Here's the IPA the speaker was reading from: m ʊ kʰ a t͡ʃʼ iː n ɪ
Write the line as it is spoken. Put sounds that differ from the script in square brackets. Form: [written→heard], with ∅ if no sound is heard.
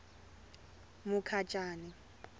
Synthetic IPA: m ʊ kʰ a t͡ʃʼ [iː→aː] n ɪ